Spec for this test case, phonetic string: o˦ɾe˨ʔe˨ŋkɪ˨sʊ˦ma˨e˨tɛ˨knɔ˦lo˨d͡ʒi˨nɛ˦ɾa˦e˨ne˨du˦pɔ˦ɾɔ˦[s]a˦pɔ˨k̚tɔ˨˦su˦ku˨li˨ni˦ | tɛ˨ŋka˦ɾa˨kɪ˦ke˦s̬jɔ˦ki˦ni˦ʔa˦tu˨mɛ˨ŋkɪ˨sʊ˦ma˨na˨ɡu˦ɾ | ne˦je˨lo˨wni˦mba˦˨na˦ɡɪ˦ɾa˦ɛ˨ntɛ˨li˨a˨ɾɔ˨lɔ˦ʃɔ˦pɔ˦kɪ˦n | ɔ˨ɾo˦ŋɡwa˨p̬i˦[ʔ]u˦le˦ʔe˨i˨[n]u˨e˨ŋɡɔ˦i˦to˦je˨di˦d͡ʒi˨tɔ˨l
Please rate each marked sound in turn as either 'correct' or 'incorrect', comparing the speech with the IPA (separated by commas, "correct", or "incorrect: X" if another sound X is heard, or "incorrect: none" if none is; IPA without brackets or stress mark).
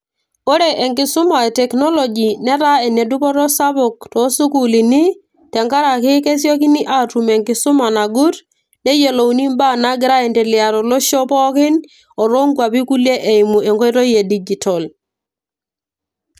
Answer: correct, incorrect: k, incorrect: m